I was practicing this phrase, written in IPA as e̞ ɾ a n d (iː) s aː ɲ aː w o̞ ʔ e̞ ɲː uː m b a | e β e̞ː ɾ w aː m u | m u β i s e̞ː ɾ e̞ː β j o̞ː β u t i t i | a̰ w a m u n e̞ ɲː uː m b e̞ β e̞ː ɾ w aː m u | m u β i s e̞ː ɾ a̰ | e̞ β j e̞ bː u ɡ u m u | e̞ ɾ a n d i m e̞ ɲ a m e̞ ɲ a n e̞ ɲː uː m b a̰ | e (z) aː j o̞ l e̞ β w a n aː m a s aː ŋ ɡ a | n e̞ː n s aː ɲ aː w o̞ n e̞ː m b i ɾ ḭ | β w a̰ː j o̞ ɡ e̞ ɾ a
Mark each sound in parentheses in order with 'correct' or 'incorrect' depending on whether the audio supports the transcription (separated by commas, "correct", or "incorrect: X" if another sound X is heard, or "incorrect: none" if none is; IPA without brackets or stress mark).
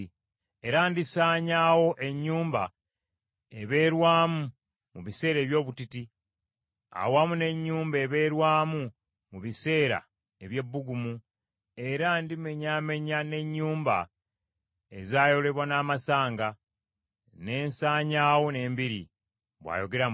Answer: incorrect: i, correct